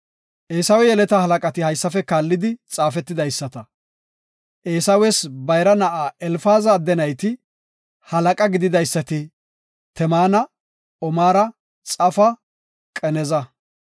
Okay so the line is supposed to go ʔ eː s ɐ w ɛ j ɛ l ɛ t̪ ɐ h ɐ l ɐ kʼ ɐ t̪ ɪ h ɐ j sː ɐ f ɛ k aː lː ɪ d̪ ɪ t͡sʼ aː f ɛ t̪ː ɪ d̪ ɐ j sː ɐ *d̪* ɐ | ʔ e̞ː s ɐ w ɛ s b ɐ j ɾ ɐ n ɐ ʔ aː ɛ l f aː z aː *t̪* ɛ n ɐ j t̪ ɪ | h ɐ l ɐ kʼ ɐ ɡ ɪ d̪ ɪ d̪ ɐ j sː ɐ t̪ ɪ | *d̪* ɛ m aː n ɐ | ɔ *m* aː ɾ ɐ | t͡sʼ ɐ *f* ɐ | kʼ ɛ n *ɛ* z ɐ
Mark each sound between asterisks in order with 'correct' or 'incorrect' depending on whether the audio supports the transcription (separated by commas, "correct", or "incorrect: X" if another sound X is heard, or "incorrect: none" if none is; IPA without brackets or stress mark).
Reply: incorrect: t̪, incorrect: d̪, incorrect: t̪, correct, correct, correct